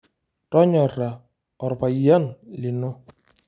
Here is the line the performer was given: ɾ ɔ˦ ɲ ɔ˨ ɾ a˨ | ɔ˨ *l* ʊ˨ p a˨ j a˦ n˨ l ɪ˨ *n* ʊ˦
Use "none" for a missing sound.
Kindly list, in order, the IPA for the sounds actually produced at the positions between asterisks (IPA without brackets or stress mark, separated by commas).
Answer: ɾ, n